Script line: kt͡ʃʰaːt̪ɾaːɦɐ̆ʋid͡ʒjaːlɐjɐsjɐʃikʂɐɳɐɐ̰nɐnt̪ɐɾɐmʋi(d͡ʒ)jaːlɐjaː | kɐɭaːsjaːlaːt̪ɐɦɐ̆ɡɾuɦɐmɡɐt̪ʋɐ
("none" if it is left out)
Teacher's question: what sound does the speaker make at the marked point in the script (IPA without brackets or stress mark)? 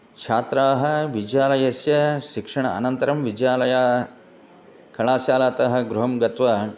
d͡ʒ